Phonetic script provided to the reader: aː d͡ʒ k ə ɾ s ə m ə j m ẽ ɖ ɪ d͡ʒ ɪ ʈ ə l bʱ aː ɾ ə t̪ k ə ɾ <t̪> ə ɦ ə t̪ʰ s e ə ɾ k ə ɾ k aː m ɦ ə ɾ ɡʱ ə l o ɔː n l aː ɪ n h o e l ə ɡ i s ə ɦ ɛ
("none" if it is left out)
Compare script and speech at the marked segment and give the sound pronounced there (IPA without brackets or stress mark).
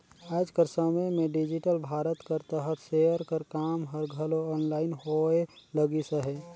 t̪